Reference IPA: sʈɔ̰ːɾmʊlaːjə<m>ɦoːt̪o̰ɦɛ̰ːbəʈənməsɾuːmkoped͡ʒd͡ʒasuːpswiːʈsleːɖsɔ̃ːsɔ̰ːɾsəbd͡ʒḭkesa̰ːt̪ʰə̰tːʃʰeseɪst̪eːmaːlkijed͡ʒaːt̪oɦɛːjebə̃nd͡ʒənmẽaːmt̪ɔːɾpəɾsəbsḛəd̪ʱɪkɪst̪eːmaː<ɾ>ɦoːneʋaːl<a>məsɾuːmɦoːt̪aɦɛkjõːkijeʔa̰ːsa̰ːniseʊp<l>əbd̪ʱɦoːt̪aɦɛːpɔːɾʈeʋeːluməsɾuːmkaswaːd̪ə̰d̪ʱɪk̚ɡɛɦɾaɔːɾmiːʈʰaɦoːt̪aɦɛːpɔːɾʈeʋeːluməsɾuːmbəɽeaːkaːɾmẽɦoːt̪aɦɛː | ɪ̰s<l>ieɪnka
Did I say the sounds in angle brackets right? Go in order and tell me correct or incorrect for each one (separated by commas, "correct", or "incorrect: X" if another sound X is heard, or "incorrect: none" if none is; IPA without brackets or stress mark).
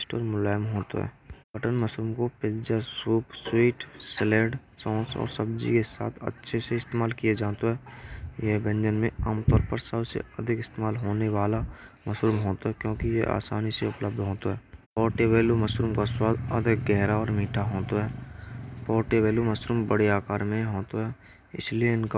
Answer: correct, incorrect: l, correct, correct, correct